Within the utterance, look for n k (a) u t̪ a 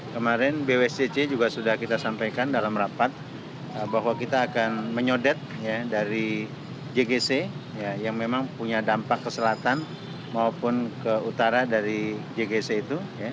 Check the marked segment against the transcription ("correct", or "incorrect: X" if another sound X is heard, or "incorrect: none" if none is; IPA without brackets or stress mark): incorrect: ə